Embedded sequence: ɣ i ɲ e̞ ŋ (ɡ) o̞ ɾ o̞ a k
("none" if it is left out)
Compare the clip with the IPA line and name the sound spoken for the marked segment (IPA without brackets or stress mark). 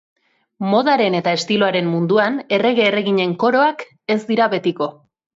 k